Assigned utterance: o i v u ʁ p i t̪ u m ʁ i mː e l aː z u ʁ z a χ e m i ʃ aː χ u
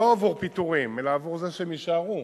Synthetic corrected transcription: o a v u ʁ p i t̪ u ʁ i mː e l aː v u ʁ z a ʃ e m i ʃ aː ʁ u